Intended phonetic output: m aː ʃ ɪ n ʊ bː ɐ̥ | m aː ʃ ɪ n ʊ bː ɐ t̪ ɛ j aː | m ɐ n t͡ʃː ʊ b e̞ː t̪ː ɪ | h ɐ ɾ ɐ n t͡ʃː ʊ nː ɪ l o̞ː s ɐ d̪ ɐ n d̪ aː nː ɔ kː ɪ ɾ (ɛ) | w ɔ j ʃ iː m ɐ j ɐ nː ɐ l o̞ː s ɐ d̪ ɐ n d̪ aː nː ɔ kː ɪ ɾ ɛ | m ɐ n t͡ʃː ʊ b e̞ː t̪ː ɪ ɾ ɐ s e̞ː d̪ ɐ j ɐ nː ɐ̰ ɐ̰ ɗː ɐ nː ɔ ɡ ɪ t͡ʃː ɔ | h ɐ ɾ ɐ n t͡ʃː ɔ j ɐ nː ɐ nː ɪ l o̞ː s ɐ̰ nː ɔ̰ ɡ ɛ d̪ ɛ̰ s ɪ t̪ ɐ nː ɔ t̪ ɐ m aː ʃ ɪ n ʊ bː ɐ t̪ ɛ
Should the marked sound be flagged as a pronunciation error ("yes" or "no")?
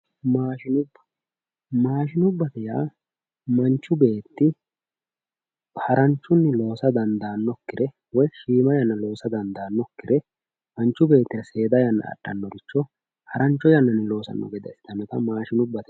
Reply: no